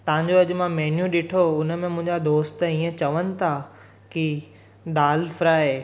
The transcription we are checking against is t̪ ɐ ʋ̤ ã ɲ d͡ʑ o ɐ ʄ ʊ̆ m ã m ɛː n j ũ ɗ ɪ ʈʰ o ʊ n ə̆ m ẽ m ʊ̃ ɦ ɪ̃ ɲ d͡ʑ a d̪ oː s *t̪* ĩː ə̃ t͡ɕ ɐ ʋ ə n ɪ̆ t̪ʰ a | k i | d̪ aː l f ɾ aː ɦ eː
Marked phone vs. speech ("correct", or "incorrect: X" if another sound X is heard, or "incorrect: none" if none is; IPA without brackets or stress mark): correct